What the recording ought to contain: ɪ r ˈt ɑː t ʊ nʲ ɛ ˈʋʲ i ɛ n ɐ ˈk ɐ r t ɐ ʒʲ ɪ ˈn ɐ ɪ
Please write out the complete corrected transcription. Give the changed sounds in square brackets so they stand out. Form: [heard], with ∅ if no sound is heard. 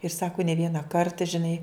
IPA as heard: ɪ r [ˈs] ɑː [k] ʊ nʲ ɛ ˈʋʲ i ɛ n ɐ ˈk ɐ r t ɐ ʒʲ ɪ ˈn ɐ ɪ